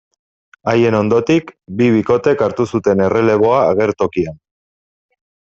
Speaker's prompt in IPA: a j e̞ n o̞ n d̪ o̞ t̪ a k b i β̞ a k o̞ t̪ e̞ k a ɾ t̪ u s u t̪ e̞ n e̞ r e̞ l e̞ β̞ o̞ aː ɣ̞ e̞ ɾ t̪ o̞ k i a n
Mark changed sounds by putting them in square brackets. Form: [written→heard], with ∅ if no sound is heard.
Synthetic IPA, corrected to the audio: a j e̞ n o̞ n d̪ o̞ t̪ [a→i] k b i β̞ [a→i] k o̞ t̪ e̞ k a ɾ t̪ u s u t̪ e̞ n e̞ r e̞ l e̞ β̞ o̞ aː ɣ̞ e̞ ɾ t̪ o̞ k i a n

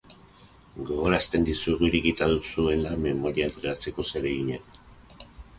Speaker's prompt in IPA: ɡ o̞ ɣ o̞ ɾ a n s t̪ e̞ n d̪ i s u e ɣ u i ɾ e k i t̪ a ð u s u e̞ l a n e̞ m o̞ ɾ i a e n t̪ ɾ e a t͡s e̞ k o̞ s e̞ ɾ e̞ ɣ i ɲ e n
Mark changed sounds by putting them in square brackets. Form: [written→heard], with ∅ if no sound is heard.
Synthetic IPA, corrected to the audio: ɡ o̞ ɣ o̞ ɾ a [n→∅] s t̪ e̞ n d̪ i s u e ɣ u i ɾ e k i t̪ a ð u s u e̞ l a [n→m] e̞ m o̞ ɾ i a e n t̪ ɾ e a t͡s e̞ k o̞ s e̞ ɾ e̞ ɣ i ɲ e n

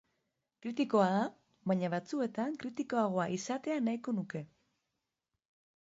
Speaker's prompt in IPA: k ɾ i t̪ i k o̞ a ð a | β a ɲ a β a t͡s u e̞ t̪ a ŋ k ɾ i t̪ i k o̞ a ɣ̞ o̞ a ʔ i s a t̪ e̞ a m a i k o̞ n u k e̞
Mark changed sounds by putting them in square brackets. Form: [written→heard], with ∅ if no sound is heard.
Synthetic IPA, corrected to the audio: k ɾ i t̪ i k o̞ a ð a | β a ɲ a β a t͡s u e̞ t̪ a ŋ k ɾ i t̪ i k o̞ a ɣ̞ o̞ a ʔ i s a t̪ e̞ a [m→n] a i k o̞ n u k e̞

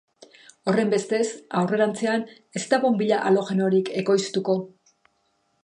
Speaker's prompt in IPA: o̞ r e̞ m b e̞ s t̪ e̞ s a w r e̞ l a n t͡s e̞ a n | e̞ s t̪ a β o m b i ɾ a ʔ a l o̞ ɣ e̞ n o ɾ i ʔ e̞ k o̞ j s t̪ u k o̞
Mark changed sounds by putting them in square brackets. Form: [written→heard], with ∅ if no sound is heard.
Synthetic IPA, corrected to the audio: o̞ r e̞ m b e̞ s t̪ e̞ s a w r e̞ [l→ɾ] a n t͡s e̞ a n | e̞ s t̪ a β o m b i [ɾ→ʎ] a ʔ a l o̞ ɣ e̞ n o ɾ i [ʔ→k] e̞ k o̞ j s t̪ u k o̞

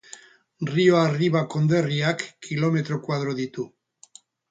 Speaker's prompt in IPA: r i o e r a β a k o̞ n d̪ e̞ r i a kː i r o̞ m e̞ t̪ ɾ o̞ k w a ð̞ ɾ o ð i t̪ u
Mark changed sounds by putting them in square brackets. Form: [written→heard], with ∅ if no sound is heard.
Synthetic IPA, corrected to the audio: r i o [e→a] r [a→i] β a k o̞ n d̪ e̞ r i a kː i [r→l] o̞ m e̞ t̪ ɾ o̞ k w a ð̞ ɾ o ð i t̪ u

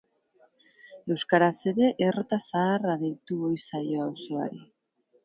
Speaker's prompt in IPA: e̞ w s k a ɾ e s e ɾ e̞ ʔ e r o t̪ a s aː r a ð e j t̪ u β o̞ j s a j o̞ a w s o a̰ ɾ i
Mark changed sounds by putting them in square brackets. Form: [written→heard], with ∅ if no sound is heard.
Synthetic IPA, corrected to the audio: e̞ w s k a ɾ [e→a] s e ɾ e̞ ʔ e r o t̪ a s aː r a ð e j t̪ u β o̞ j s a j o̞ a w s o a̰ ɾ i

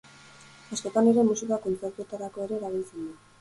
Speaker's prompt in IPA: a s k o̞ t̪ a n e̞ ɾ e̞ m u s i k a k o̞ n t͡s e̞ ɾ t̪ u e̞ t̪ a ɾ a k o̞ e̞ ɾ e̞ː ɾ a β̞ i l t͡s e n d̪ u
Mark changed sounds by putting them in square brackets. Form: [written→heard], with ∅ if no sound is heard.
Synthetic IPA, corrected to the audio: a s k o̞ t̪ a n e̞ ɾ e̞ m u s i k a k o̞ n t͡s e̞ ɾ t̪ u e̞ t̪ a ɾ a k o̞ e̞ ɾ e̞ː ɾ a β̞ i l t͡s e n d̪ u

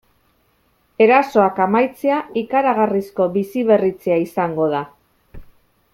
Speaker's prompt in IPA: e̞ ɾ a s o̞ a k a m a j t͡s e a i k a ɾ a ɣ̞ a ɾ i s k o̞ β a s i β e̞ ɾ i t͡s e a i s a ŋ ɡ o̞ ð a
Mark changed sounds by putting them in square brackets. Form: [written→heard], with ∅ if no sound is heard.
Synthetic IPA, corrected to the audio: e̞ ɾ a s o̞ a k a m a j t͡s e a i k a ɾ a ɣ̞ a [ɾ→r] i s k o̞ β [a→i] s i β e̞ [ɾ→r] i t͡s e a i s a ŋ ɡ o̞ ð a

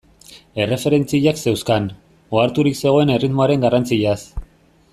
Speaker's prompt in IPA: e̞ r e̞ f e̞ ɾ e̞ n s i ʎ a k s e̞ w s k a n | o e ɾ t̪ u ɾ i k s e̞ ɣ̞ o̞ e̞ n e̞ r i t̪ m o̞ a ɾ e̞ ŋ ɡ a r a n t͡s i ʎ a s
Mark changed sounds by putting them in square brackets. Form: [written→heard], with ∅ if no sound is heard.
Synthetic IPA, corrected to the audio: e̞ r e̞ f e̞ ɾ e̞ n [s→t͡s] i ʎ a k s e̞ w s k a n | o [e→a] ɾ t̪ u ɾ i k s e̞ ɣ̞ o̞ e̞ n e̞ r i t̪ m o̞ a ɾ e̞ ŋ ɡ a r a n t͡s i ʎ a s

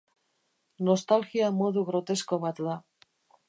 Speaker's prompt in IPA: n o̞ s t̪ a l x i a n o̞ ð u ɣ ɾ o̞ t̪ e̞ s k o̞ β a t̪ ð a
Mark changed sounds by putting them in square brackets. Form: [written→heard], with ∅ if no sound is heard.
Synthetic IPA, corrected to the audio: n o̞ s t̪ a l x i a [n→m] o̞ ð u ɣ ɾ o̞ t̪ e̞ s k o̞ β a t̪ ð a

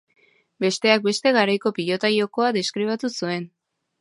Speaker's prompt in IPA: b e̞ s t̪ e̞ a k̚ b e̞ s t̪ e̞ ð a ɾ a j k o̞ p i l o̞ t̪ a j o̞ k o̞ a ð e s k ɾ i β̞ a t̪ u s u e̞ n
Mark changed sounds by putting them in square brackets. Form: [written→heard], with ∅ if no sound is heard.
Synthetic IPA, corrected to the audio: b e̞ s t̪ e̞ a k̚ b e̞ s t̪ e̞ [ð→ɣ] a ɾ a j k o̞ p i [l→ʎ] o̞ t̪ a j o̞ k o̞ a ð e s k ɾ i β̞ a t̪ u s u e̞ n

